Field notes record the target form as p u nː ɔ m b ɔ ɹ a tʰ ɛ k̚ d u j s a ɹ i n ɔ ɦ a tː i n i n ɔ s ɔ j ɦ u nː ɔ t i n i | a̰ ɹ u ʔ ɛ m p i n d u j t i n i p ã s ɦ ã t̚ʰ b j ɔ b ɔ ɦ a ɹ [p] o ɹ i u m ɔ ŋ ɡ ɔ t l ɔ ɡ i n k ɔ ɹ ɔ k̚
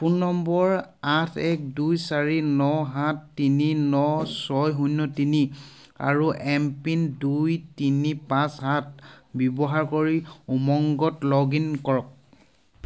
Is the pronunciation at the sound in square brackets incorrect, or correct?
incorrect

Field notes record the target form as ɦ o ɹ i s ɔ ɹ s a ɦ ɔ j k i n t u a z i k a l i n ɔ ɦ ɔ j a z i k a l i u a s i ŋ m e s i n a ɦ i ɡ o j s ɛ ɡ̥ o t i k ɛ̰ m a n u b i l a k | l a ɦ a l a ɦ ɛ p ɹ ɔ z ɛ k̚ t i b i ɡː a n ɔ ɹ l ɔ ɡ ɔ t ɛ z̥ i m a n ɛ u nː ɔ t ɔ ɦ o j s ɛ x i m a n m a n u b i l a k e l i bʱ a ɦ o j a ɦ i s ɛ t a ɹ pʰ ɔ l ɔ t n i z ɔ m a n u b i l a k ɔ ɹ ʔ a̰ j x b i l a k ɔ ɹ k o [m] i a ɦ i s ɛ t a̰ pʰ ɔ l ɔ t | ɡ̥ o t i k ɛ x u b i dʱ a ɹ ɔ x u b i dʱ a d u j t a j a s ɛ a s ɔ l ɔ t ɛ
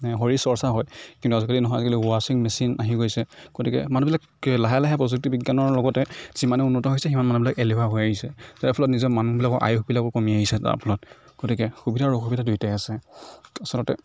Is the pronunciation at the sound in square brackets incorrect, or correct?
correct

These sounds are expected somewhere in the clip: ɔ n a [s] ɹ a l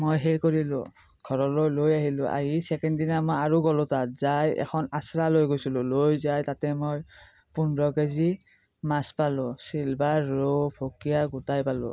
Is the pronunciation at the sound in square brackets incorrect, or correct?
correct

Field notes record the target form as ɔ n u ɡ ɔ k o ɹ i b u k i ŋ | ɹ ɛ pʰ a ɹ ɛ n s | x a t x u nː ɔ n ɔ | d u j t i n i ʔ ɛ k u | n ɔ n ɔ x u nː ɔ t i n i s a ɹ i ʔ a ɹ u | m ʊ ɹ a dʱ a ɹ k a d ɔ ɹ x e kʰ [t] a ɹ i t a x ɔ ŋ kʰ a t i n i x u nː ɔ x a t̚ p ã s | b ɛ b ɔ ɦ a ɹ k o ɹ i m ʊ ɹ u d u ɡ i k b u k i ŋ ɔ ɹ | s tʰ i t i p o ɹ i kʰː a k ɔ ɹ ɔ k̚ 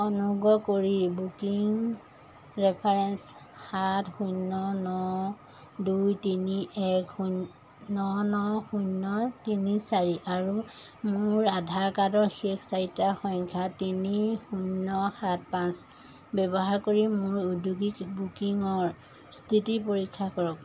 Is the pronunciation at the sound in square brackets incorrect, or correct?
incorrect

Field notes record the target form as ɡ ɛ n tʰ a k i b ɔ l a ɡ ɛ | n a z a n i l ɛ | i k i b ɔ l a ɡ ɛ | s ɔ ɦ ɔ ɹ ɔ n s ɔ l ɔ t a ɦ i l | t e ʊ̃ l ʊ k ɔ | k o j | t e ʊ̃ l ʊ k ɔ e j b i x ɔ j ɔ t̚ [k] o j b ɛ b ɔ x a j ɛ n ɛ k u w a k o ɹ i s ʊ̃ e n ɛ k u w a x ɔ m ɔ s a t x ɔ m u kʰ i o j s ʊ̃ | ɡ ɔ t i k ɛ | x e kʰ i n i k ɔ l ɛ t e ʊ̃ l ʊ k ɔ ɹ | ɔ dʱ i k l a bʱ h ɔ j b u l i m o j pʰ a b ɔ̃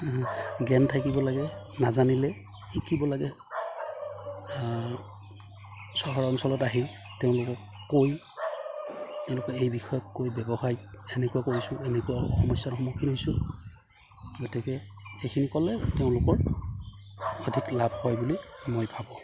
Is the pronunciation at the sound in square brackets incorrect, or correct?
correct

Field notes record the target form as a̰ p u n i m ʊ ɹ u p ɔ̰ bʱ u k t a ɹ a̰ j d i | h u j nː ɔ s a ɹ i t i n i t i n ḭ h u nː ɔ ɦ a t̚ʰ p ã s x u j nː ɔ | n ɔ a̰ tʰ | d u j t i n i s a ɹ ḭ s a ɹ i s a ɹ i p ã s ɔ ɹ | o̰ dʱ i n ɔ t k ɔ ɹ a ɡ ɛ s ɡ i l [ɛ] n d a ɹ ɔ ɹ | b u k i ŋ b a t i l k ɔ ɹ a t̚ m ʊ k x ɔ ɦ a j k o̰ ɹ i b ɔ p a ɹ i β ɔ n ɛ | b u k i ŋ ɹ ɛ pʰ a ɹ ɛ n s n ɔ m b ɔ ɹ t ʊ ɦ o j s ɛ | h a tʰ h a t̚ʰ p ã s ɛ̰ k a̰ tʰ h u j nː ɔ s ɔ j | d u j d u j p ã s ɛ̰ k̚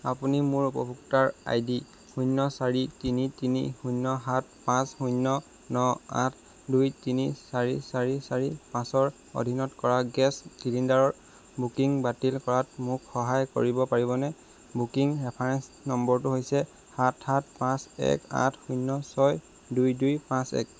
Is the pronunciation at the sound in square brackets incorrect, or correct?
incorrect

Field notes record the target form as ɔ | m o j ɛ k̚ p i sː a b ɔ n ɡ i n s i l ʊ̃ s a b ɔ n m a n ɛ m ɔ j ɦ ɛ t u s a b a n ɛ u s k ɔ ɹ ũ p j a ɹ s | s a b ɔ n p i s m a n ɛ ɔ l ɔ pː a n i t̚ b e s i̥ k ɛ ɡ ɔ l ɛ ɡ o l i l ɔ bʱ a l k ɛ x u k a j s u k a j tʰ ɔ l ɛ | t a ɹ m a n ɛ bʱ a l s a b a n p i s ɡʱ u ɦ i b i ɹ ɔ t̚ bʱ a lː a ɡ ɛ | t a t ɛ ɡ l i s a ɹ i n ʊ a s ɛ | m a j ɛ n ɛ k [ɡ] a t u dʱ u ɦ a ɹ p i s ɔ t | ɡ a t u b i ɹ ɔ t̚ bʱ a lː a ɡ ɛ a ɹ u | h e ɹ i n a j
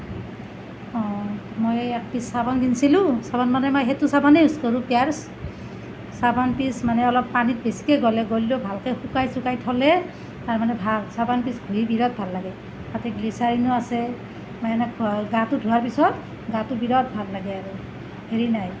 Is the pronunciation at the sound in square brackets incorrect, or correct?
correct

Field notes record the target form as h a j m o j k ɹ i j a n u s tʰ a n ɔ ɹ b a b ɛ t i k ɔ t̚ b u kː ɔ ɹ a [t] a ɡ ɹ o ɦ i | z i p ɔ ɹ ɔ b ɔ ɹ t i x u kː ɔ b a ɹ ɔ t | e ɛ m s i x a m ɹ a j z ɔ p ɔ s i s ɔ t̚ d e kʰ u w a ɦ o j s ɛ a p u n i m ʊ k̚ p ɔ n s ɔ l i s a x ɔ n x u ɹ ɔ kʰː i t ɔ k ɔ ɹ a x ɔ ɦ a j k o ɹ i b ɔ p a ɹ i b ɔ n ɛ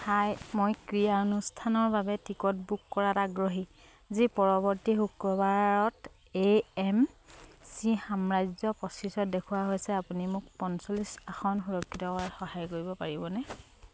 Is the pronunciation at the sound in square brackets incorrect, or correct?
correct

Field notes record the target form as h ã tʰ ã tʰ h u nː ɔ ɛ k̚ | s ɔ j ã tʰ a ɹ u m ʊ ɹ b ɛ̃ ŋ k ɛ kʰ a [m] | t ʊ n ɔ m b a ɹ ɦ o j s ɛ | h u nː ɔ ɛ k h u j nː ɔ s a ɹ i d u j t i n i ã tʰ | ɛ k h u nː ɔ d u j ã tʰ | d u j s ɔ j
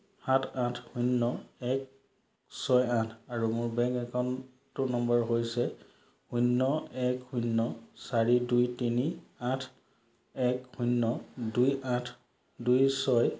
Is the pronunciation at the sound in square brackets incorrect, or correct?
incorrect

